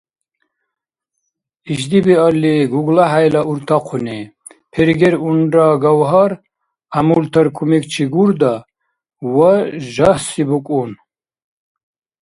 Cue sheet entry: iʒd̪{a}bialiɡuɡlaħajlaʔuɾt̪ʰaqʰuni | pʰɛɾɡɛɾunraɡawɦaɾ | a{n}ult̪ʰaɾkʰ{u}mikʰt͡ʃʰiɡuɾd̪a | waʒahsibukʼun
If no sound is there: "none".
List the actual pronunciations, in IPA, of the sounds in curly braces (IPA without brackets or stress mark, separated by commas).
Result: i, m, u